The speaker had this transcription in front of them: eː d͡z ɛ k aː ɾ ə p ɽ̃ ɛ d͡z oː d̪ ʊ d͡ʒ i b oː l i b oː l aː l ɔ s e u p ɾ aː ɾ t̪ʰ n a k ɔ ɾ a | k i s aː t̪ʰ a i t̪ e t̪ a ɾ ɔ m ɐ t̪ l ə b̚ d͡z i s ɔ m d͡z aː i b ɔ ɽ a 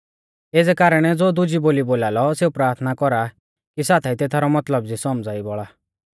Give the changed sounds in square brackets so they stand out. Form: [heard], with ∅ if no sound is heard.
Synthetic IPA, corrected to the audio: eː d͡z ɛ k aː ɾ ə [∅] ɽ̃ ɛ d͡z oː d̪ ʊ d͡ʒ i b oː l i b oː l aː l ɔ s e u p ɾ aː ɾ t̪ʰ n a k ɔ ɾ a | k i s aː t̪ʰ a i t̪ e [t̪ʰ] a ɾ ɔ m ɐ t̪ l ə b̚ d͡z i s ɔ m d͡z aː i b ɔ [ɭ] a

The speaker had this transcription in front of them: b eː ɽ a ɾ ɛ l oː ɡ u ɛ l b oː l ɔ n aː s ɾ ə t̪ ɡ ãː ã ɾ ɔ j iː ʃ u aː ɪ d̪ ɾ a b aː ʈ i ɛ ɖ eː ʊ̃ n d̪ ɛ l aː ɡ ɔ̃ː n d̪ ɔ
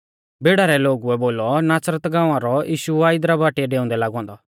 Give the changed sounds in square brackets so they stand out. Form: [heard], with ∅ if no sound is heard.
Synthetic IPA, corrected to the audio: b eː ɽ a ɾ ɛ l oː ɡ u ɛ [∅] b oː l ɔ n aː s ɾ ə t̪ ɡ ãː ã ɾ ɔ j iː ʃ u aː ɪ d̪ ɾ a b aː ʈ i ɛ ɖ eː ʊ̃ n d̪ ɛ l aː ɡ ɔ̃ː n d̪ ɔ

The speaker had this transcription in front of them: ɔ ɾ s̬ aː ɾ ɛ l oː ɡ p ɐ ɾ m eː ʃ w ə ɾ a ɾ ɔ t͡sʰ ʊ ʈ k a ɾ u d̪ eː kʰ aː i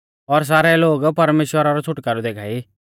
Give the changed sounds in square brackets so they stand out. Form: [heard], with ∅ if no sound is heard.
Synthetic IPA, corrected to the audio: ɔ ɾ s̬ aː ɾ ɛ l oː ɡ p ɐ ɾ m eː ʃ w ə ɾ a ɾ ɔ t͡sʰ ʊ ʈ k a ɾ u d̪ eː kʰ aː i

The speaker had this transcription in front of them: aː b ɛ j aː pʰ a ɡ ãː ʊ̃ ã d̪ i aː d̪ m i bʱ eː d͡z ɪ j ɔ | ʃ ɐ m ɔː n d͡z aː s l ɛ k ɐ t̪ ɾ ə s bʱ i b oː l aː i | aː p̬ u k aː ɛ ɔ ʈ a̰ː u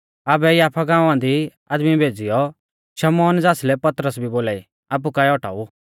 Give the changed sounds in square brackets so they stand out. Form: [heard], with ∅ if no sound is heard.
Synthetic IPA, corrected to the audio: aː b ɛ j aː pʰ a ɡ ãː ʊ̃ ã d̪ i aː d̪ m i bʱ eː d͡z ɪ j ɔ | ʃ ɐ m ɔː n d͡z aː s l ɛ [p] ɐ t̪ ɾ ə s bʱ i b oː l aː i | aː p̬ u k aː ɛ ɔ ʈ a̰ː u

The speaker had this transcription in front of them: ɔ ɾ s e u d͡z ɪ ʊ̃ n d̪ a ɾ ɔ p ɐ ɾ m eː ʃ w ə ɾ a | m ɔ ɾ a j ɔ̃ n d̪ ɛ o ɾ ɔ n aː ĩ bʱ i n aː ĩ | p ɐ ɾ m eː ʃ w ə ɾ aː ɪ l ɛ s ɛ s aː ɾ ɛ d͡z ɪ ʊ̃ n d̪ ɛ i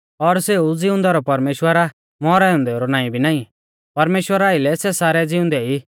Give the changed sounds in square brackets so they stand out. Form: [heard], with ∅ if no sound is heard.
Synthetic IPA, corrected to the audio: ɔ ɾ s e u d͡z ɪ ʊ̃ n d̪ a ɾ ɔ p ɐ ɾ m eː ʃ w ə ɾ a | m ɔ ɾ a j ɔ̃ n d̪ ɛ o ɾ ɔ n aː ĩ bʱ i n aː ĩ | p ɐ ɾ m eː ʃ w ə ɾ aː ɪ l ɛ s ɛ s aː ɾ ɛ d͡z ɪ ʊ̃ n d̪ ɛ i

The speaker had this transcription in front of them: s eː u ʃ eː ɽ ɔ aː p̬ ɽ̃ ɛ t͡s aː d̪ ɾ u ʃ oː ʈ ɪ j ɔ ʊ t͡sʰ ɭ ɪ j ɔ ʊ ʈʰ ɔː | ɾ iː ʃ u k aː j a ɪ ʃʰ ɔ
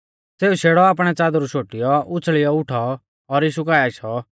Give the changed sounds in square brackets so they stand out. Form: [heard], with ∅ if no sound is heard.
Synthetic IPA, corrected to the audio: s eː u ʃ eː ɽ ɔ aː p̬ ɽ̃ ɛ t͡s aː d̪ ɾ u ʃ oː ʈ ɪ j ɔ ʊ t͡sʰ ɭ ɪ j ɔ ʊ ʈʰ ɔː | ɾ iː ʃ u k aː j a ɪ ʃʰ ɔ

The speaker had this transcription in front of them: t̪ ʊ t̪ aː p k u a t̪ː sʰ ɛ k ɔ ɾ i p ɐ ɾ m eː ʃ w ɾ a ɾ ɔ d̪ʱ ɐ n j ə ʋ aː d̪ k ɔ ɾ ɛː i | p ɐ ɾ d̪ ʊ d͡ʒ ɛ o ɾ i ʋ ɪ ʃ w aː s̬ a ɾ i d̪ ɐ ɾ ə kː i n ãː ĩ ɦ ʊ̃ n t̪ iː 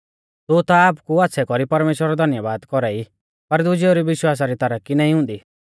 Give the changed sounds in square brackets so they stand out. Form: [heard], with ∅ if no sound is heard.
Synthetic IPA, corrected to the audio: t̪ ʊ t̪ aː p k u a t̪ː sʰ ɛ k ɔ ɾ i p ɐ ɾ m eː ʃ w ɾ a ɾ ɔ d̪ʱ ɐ n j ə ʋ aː d̪ k ɔ ɾ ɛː i | p ɐ ɾ d̪ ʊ d͡ʒ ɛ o ɾ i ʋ ɪ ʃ w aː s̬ a ɾ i [t̪] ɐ ɾ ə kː i n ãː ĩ ɦ ʊ̃ n [d̪] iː

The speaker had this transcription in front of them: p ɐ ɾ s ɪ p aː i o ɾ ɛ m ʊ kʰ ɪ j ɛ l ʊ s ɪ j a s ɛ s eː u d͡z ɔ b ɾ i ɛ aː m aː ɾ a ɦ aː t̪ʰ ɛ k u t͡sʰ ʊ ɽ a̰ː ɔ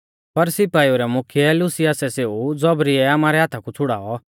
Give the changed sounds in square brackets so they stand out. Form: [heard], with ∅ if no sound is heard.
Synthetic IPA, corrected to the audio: p ɐ ɾ s ɪ p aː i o ɾ ɛ m ʊ kʰ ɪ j ɛ l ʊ s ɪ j a s ɛ s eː u d͡z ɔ b ɾ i ɛ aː m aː ɾ [ɛ] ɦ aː t̪ʰ [a] k u t͡sʰ ʊ ɽ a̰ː ɔ

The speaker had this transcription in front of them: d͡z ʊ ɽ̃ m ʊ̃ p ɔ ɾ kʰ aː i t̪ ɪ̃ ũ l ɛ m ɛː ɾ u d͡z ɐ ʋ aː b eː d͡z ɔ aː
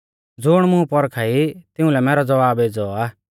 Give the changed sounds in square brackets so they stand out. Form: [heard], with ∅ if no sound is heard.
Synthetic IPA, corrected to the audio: d͡z ʊ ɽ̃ m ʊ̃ p ɔ ɾ kʰ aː i t̪ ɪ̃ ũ l ɛ m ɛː ɾ [ɔ] d͡z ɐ ʋ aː b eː d͡z ɔ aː

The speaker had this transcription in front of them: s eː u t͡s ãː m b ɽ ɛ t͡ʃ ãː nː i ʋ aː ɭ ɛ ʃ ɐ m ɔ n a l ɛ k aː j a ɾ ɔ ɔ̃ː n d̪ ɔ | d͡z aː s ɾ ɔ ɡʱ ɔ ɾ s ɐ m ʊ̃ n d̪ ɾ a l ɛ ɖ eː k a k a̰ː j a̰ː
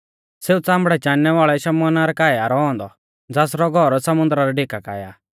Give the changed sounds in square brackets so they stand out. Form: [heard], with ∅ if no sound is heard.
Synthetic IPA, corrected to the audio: s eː u t͡s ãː m b ɽ ɛ t͡ʃ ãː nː [ɛ] ʋ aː ɭ ɛ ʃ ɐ m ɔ n a [ɾ] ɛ k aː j a ɾ ɔ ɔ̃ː n d̪ ɔ | d͡z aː s ɾ ɔ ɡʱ ɔ ɾ s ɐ m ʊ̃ n d̪ ɾ a [ɾ] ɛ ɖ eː k a k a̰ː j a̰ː

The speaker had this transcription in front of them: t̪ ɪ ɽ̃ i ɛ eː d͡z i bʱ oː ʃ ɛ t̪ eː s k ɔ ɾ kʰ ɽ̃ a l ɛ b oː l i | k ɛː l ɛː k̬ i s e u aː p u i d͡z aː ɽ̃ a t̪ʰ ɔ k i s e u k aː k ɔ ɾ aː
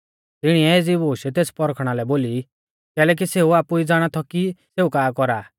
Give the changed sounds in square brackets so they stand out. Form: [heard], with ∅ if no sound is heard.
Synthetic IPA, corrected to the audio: t̪ ɪ ɽ̃ i ɛ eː d͡z i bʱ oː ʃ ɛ t̪ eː s [p] ɔ ɾ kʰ ɽ̃ a l ɛ b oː l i | k ɛː l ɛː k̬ i s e u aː p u i d͡z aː ɽ̃ a t̪ʰ ɔ k i s e u k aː k ɔ ɾ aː

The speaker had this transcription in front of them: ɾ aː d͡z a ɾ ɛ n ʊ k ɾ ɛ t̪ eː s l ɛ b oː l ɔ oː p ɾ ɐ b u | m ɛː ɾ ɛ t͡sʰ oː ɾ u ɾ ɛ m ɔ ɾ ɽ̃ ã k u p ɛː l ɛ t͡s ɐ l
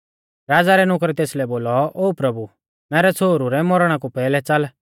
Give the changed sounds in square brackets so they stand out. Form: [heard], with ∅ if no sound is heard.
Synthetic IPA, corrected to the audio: ɾ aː d͡z a ɾ ɛ n ʊ k ɾ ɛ t̪ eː s l ɛ b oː l ɔ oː p ɾ ɐ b u | m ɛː ɾ ɛ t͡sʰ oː ɾ u ɾ ɛ m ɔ ɾ ɽ̃ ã k u p ɛː l ɛ t͡s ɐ l

